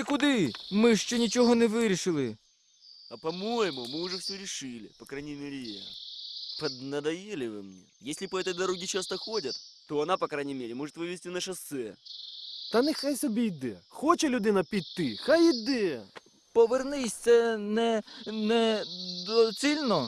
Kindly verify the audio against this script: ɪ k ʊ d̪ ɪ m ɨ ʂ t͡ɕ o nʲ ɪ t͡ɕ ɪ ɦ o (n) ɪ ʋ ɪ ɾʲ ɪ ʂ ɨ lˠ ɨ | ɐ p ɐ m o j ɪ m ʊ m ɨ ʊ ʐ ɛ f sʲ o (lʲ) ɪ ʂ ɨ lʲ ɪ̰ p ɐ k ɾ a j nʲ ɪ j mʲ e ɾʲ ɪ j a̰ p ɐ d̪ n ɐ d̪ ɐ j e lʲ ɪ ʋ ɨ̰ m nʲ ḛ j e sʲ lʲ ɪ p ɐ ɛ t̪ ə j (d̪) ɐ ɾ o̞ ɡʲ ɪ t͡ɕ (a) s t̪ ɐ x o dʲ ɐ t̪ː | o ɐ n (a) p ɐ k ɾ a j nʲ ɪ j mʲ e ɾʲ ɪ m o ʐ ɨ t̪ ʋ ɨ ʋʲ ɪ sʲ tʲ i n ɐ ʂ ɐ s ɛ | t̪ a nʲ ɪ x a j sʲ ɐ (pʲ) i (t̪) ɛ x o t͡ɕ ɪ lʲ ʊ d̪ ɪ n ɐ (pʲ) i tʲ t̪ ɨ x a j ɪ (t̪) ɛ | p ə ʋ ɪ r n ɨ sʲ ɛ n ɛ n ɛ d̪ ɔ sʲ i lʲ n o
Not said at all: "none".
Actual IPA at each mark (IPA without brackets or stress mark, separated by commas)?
n, ɾʲ, d̪, a, a, bʲ, d̪, pʲ, d̪